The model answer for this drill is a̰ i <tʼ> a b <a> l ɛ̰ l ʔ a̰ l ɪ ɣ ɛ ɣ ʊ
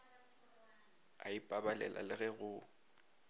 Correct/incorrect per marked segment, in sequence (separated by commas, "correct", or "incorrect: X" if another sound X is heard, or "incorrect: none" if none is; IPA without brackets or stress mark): incorrect: pʼ, correct